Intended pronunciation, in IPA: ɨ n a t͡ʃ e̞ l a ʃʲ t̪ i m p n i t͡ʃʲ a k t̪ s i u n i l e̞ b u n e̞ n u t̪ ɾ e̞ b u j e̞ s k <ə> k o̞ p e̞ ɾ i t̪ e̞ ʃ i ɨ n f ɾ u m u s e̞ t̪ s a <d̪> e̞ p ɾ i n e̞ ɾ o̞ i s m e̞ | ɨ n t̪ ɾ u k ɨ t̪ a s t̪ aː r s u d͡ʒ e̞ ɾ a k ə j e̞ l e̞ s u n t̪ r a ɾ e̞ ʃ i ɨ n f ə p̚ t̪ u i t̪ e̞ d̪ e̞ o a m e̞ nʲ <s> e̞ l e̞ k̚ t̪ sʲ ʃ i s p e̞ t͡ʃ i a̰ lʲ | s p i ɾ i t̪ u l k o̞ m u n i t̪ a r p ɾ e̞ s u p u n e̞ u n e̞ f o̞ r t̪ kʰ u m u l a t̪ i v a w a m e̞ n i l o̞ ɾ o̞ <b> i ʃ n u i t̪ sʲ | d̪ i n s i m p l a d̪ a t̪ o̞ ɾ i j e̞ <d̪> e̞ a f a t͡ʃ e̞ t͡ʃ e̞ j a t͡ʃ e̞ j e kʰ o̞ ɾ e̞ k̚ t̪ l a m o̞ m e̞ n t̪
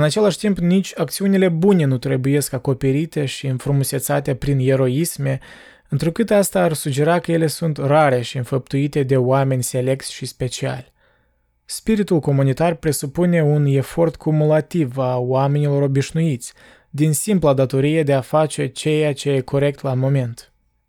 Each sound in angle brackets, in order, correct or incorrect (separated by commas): incorrect, incorrect, correct, correct, correct